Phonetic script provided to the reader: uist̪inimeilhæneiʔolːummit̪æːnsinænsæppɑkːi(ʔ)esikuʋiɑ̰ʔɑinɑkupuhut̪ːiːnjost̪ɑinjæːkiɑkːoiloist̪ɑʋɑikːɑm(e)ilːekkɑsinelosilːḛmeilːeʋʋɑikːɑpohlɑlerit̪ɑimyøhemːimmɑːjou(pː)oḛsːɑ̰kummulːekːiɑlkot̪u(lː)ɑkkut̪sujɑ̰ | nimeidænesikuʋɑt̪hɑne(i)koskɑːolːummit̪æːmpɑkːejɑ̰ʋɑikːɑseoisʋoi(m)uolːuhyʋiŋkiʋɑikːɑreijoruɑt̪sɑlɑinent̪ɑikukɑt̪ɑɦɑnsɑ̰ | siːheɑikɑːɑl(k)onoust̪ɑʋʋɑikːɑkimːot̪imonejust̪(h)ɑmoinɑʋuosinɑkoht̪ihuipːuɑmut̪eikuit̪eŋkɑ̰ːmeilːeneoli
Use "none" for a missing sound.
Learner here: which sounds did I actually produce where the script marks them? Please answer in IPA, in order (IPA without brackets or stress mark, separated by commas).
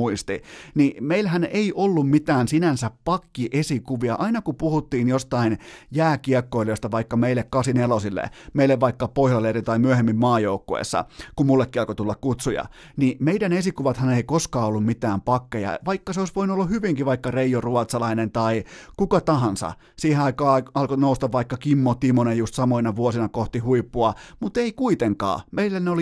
ʔ, e, kː, lː, i, n, k, s